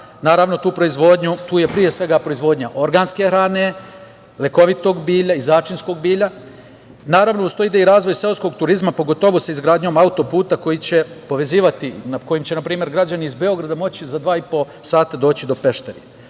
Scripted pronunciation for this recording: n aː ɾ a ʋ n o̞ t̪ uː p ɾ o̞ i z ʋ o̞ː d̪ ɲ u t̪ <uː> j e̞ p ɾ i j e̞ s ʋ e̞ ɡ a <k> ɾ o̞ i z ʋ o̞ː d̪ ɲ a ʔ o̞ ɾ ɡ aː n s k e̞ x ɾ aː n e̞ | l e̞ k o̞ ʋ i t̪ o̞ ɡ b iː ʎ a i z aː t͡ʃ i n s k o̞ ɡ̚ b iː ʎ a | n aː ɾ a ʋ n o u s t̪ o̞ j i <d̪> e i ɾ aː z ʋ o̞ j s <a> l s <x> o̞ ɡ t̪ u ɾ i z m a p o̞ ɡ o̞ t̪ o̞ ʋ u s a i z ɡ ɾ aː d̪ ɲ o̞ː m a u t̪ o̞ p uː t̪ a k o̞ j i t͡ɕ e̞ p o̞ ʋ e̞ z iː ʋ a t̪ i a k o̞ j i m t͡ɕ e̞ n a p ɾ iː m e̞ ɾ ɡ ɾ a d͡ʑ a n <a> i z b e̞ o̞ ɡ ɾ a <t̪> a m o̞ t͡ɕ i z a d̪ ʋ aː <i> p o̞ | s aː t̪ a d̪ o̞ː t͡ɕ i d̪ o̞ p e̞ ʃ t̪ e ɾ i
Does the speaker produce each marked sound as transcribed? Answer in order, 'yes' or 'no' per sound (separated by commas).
yes, no, yes, no, no, no, no, yes